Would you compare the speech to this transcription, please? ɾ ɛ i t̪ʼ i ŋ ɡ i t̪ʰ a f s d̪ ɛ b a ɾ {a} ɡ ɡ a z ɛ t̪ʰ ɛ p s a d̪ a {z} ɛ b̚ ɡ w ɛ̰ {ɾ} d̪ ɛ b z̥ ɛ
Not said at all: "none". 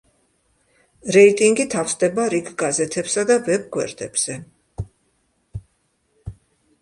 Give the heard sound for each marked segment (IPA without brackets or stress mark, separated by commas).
i, v, ɾ